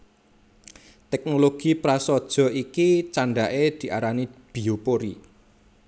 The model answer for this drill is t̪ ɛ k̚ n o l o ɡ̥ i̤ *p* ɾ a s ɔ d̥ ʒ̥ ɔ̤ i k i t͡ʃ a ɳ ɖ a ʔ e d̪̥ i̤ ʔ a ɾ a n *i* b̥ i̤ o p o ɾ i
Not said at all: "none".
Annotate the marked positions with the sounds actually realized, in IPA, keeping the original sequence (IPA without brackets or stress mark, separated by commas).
p, i